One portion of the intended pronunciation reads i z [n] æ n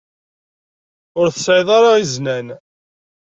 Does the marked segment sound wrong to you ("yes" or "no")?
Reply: no